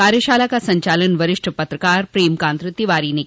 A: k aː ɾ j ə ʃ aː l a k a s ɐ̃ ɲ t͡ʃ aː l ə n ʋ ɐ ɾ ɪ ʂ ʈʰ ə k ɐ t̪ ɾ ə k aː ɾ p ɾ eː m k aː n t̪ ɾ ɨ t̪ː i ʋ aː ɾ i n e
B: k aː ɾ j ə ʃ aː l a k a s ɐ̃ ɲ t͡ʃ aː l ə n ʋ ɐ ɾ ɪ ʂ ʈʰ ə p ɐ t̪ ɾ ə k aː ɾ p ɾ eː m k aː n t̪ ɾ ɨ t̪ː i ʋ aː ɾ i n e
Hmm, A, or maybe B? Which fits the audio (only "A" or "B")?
B